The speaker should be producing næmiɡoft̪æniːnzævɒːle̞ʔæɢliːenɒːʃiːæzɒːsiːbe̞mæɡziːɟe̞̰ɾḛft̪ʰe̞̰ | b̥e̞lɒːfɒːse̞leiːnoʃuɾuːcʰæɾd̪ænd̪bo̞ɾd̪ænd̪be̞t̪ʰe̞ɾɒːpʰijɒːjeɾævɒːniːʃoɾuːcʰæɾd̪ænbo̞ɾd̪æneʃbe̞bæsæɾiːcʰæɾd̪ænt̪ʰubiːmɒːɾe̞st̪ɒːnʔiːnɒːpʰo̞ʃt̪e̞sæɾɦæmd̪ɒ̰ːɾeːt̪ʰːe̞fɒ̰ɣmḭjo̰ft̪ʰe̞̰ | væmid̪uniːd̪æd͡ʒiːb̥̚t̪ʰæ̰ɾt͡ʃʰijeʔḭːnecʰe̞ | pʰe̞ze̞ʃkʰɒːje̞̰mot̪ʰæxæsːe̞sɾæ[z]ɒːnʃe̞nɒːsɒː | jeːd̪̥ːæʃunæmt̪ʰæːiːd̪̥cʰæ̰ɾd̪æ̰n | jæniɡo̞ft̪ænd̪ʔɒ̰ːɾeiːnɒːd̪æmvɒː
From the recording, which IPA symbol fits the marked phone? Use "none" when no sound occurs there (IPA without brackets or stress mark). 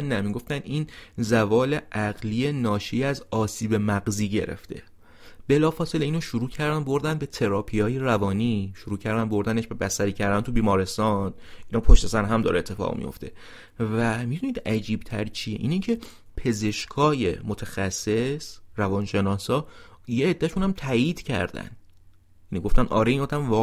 v